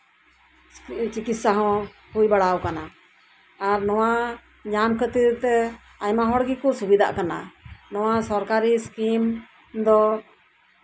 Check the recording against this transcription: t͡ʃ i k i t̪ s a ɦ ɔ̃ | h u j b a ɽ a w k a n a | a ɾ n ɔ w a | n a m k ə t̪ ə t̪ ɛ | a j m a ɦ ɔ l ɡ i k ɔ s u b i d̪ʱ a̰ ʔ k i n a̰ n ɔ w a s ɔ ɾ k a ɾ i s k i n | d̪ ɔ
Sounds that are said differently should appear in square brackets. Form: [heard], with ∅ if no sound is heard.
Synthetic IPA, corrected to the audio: t͡ʃ i k i t̪ s a ɦ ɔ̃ | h u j b a ɽ a w k a n a | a ɾ n ɔ w a | [ɲ] a m k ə t̪ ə t̪ ɛ | a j m a ɦ ɔ [ɽ] ɡ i k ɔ s u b i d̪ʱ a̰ ʔ k [a] n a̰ n ɔ w a s ɔ ɾ k a ɾ i s k i [m] | d̪ ɔ